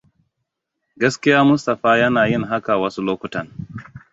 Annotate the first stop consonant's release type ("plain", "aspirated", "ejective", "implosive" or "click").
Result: plain